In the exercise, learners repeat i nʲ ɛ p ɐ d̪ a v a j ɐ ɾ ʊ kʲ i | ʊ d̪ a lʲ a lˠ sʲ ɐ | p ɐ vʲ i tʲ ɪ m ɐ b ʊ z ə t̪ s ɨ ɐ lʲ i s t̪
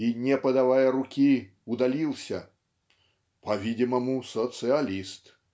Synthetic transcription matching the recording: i nʲ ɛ p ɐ d̪ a v a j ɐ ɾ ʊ kʲ i | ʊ d̪ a lʲ i lˠ sʲ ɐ | p ɐ vʲ i dʲ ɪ m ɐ m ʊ s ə t̪ s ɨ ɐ lʲ i s t̪